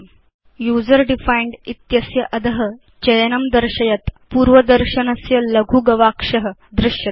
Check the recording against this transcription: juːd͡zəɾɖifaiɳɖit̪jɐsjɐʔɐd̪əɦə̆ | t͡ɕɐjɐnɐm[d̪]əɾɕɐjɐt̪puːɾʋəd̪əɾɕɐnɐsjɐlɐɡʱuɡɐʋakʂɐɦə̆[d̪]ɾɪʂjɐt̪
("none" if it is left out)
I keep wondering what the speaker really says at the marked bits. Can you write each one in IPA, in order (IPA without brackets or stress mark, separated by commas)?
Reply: d̪, d̪